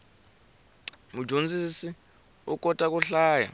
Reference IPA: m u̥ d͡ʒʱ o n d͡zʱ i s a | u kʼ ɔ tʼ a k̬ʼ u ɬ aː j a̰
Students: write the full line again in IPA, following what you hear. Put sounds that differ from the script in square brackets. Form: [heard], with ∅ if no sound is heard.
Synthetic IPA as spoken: m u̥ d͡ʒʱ o n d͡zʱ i s [i] | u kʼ ɔ tʼ a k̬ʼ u ɬ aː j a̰